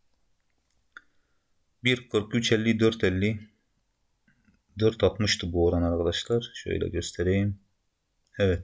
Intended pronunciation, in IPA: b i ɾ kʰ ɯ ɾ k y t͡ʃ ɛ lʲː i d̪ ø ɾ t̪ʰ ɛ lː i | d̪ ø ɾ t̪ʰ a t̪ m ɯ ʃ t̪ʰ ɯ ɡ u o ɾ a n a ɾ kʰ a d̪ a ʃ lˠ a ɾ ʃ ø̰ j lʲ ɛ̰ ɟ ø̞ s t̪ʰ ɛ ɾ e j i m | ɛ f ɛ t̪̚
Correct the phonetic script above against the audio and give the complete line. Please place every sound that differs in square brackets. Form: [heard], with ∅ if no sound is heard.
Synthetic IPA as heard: b i ɾ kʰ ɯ ɾ k y t͡ʃ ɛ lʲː i d̪ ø ɾ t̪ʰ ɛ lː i | d̪ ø ɾ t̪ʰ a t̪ m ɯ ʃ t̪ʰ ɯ [b] u o ɾ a n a ɾ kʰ a d̪ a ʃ lˠ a ɾ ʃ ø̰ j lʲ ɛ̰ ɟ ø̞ s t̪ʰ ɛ ɾ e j i m | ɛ [v] ɛ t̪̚

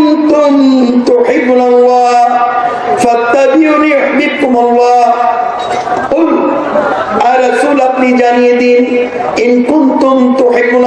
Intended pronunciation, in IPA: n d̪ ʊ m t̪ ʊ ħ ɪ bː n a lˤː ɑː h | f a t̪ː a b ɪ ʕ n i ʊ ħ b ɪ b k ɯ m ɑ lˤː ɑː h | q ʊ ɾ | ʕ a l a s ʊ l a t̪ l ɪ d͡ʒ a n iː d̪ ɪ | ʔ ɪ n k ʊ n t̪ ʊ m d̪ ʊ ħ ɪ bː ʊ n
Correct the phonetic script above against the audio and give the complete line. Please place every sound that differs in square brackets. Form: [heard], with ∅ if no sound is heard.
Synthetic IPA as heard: n [t̪] ʊ m t̪ ʊ ħ ɪ bː n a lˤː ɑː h | f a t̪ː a b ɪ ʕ n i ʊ ħ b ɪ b k [ʊ] m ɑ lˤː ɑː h | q ʊ [l] | ʕ a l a s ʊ l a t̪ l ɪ d͡ʒ a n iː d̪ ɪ | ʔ ɪ n k ʊ n t̪ ʊ m [t̪] ʊ ħ ɪ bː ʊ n

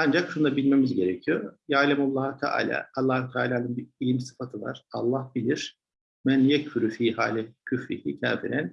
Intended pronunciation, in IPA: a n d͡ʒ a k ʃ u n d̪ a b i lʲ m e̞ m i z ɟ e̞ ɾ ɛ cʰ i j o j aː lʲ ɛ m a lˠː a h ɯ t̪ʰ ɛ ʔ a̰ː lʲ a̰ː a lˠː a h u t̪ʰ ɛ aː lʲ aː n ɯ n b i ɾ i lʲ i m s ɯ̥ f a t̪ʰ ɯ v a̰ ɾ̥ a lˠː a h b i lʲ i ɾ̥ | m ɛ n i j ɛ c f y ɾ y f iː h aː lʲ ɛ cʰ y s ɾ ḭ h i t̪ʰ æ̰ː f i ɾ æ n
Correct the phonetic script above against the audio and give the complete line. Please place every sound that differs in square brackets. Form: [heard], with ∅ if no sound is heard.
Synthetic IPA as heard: a n d͡ʒ a k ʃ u n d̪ a b i lʲ m e̞ m i z ɟ e̞ ɾ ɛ cʰ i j o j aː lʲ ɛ m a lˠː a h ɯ t̪ʰ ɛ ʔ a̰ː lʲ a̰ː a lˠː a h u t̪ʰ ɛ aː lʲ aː n ɯ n b i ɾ i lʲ i m s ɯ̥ f a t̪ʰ ɯ v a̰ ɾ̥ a lˠː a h b i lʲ i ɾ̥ | m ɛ n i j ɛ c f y ɾ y f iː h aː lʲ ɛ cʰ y [f] ɾ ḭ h i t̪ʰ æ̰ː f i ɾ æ n

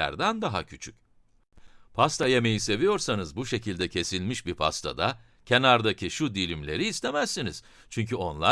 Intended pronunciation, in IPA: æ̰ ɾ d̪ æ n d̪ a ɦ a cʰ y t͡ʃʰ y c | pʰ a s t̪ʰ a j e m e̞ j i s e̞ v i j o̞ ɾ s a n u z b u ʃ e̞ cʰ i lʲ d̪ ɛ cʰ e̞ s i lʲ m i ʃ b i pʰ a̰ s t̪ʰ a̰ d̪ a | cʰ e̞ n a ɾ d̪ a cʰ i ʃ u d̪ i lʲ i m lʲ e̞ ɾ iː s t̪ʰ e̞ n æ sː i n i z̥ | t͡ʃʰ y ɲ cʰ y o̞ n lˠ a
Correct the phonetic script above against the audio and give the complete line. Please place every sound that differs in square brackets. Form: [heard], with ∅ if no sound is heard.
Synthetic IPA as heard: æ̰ ɾ d̪ æ n d̪ a ɦ a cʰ y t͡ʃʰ y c | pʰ a s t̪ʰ a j e m e̞ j i s e̞ v i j o̞ ɾ s a n [ɯ] z b u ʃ e̞ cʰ i lʲ d̪ ɛ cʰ e̞ s i lʲ m i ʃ b i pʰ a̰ s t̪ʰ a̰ d̪ a | cʰ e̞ n a ɾ d̪ a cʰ i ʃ u d̪ i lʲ i m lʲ e̞ ɾ iː s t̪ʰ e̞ [m] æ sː i n i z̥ | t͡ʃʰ y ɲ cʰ y o̞ n lˠ a

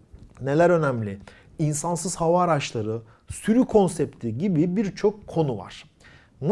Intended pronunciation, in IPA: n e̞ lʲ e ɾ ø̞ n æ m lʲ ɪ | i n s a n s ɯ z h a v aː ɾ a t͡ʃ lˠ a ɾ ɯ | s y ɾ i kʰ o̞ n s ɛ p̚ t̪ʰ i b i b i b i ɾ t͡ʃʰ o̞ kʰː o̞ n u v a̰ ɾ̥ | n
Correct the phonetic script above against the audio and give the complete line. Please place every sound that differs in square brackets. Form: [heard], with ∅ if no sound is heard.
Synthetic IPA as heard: n e̞ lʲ [æ] ɾ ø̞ n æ m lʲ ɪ | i n s a n s ɯ z h a v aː ɾ a t͡ʃ lˠ a ɾ ɯ | s y ɾ [y] kʰ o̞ n s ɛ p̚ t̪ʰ i [ɟ] i b i b i ɾ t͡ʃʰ o̞ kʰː o̞ n u v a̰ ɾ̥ | n

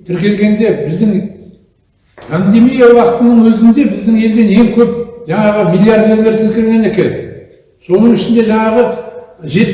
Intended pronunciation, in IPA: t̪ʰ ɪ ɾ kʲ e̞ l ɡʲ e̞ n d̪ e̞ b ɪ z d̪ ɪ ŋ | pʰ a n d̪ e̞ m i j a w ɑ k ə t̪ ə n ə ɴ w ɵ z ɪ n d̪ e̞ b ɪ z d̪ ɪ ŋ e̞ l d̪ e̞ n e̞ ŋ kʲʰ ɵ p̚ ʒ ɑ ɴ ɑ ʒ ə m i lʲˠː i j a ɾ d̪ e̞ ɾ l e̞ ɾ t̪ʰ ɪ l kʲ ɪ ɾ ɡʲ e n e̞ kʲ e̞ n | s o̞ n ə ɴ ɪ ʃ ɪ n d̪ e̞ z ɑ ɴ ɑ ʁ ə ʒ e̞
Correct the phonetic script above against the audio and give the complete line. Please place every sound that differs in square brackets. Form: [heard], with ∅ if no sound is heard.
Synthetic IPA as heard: t̪ʰ ɪ ɾ kʲ e̞ l ɡʲ e̞ n d̪ e̞ b ɪ z d̪ ɪ ŋ | pʰ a n d̪ e̞ m i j a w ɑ [q] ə t̪ ə n ə ɴ w ɵ z ɪ n d̪ e̞ b ɪ z d̪ ɪ ŋ e̞ l d̪ e̞ n e̞ ŋ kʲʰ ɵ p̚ ʒ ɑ ɴ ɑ [ʁ] ə m i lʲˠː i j a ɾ d̪ e̞ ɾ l e̞ ɾ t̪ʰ ɪ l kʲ ɪ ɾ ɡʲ e n e̞ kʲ e̞ n | s o̞ n ə ɴ ɪ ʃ ɪ n d̪ e̞ [ʒ] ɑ ɴ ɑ ʁ ə ʒ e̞

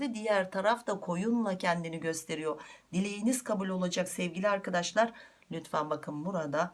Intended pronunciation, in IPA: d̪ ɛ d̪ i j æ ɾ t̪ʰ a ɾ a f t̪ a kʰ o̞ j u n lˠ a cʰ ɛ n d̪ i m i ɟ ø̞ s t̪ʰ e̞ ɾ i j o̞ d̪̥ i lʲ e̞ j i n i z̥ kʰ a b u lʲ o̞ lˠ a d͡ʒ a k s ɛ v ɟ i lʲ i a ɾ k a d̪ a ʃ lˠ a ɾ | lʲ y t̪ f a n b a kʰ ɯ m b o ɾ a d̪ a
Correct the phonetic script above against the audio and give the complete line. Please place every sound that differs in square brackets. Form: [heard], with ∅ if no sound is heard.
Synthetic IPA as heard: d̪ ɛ d̪ i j æ ɾ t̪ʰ a ɾ a f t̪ a kʰ o̞ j u n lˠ a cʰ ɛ n d̪ i [n] i ɟ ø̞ s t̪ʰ e̞ ɾ i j o̞ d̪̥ i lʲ e̞ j i n i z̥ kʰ a b u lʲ o̞ lˠ a d͡ʒ a k s ɛ v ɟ i lʲ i a ɾ k a d̪ a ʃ lˠ a ɾ | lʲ y t̪ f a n b a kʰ ɯ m b [u] ɾ a d̪ a

